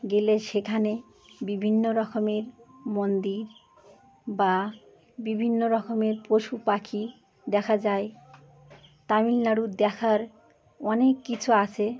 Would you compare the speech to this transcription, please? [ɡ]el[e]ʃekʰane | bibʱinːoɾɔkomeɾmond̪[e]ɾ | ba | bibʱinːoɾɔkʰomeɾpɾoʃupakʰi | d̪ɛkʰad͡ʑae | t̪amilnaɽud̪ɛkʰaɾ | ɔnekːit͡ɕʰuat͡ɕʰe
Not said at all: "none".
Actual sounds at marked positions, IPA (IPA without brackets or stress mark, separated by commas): ɡ, e, i